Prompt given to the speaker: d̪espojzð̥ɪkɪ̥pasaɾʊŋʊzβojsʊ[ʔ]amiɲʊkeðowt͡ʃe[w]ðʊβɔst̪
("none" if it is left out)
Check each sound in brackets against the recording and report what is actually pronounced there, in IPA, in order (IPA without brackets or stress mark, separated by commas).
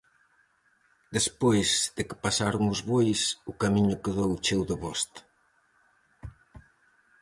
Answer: k, w